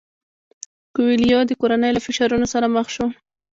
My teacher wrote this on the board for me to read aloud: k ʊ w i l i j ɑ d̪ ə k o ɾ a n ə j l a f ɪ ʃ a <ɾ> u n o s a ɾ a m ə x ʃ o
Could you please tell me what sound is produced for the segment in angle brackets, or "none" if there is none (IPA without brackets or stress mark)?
ɾ